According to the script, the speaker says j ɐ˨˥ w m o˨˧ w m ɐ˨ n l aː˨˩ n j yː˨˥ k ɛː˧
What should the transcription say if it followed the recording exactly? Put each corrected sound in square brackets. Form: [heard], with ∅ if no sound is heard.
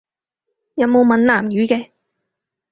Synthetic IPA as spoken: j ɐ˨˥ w m o˨˧ w m ɐ˨ n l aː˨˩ [m] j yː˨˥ k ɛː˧